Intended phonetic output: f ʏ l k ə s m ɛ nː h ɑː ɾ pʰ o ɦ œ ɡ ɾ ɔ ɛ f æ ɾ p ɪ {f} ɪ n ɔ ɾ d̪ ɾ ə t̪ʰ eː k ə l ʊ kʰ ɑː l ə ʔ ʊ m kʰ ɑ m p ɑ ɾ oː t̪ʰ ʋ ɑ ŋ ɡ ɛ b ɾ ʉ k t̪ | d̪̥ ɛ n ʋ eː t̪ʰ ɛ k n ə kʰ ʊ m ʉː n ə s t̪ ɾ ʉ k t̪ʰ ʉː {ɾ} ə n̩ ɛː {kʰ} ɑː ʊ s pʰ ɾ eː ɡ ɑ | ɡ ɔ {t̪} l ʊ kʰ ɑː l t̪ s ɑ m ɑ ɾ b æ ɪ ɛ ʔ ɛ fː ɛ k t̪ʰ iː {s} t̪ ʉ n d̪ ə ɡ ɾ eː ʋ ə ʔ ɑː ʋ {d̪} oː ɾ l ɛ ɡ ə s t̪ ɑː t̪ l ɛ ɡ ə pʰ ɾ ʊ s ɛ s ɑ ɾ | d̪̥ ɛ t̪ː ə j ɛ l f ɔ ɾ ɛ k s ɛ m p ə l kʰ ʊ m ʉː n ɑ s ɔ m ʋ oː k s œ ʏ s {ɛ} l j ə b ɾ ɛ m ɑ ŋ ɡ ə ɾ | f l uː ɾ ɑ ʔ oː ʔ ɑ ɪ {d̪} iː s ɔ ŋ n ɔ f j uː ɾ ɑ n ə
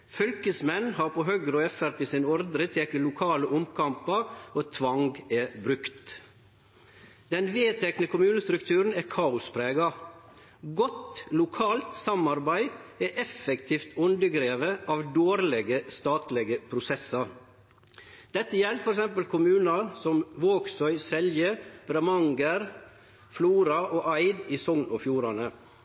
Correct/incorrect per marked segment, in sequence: incorrect: s, correct, correct, correct, incorrect: f, correct, correct, correct

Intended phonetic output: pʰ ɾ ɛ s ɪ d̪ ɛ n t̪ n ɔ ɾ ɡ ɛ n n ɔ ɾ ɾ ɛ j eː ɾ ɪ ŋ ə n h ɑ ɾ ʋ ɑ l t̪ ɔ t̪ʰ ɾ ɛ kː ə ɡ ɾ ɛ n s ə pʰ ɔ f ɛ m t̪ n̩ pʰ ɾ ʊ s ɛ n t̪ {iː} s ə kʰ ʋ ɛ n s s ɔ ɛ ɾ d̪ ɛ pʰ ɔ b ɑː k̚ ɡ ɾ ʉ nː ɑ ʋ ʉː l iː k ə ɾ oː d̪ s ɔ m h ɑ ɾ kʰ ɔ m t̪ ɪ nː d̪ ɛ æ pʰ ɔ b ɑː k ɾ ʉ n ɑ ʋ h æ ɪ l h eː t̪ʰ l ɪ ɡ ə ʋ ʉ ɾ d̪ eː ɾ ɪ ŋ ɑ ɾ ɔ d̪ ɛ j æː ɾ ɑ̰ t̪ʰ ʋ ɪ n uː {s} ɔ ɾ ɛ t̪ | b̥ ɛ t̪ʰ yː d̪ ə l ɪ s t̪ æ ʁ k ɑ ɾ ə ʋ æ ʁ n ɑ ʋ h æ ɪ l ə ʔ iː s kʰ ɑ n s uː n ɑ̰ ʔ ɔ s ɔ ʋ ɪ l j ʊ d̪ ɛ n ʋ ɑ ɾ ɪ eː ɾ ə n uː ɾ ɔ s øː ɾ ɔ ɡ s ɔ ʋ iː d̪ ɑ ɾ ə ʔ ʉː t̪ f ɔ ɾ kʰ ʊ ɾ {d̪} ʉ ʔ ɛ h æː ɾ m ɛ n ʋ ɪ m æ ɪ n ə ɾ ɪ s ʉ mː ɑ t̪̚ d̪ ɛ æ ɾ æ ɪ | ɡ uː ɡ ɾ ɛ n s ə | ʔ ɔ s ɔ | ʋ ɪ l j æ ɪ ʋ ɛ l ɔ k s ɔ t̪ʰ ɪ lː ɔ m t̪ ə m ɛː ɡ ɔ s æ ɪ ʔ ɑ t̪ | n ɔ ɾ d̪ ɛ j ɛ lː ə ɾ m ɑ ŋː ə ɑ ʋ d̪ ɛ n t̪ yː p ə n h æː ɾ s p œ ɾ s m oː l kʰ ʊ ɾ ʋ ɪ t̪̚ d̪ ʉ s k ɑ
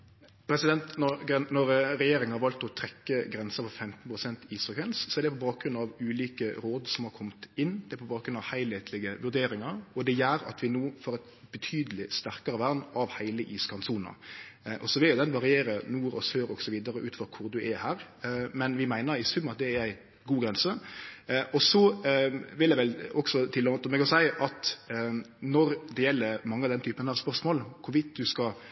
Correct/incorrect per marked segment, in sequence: correct, incorrect: f, correct

